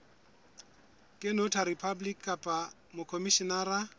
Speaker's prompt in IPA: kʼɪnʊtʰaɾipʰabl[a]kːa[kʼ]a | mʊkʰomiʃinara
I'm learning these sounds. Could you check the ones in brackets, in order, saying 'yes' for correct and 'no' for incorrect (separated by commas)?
no, no